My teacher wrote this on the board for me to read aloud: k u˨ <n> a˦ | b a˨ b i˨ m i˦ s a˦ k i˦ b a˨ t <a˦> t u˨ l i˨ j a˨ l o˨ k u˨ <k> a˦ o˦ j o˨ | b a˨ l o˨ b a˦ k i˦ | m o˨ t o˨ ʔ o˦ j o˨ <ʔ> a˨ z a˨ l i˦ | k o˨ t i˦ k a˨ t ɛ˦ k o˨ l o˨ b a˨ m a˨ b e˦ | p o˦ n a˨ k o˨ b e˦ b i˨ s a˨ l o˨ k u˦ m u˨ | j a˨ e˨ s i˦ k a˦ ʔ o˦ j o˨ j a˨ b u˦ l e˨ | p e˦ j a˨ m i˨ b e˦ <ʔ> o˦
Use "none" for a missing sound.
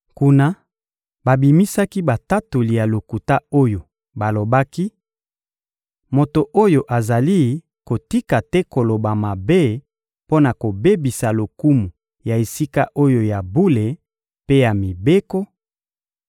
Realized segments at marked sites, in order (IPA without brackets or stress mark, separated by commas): n, a˦, t, ʔ, k